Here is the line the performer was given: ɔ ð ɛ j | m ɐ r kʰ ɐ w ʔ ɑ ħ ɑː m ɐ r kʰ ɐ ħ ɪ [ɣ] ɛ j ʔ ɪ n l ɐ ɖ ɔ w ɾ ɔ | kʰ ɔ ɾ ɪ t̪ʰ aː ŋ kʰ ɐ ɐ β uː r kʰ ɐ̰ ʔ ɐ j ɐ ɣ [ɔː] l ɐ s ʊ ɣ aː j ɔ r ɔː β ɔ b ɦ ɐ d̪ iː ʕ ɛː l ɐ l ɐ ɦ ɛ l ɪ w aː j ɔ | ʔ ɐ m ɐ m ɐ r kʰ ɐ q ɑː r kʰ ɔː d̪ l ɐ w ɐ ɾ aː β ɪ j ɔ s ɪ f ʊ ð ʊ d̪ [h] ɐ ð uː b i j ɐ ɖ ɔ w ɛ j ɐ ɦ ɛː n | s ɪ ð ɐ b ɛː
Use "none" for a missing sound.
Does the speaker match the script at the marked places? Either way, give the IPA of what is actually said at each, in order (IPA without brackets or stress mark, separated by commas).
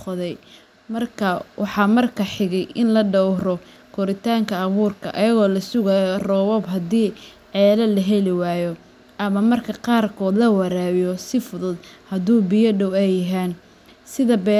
ɣ, ɔː, h